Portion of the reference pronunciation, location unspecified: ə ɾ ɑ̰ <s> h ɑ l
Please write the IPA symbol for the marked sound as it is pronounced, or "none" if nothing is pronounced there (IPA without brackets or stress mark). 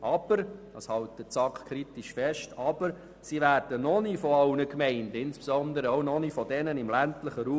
s